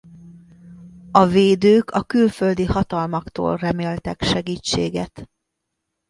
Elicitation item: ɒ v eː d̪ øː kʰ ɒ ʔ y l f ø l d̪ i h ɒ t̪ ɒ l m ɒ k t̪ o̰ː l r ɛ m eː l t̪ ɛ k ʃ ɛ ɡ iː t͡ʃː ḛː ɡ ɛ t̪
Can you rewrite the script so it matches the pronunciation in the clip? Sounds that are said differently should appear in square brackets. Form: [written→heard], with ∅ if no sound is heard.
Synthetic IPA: ɒ v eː d̪ øː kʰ ɒ [ʔ→k] y l f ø l d̪ i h ɒ t̪ ɒ l m ɒ k t̪ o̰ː l r ɛ m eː l t̪ ɛ k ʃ ɛ ɡ iː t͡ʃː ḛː ɡ ɛ t̪